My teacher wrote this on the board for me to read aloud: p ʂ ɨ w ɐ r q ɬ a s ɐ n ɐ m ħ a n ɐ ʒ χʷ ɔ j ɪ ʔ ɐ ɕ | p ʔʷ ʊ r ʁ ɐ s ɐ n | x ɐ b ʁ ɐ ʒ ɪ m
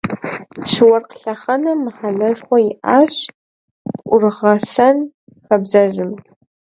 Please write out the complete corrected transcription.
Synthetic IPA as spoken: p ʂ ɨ w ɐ r q ɬ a χ ɐ n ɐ m ħ a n ɐ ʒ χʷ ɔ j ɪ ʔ a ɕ | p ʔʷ ʊ r ʁ ɐ s ɐ n | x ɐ b z ɐ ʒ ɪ m